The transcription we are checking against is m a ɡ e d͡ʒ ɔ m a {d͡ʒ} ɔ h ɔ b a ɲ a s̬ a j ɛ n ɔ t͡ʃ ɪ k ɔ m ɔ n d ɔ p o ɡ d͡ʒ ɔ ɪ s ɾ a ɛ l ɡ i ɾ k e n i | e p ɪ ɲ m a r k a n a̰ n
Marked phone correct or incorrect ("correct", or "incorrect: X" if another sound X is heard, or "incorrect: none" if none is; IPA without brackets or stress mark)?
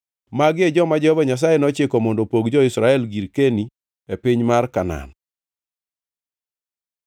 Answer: correct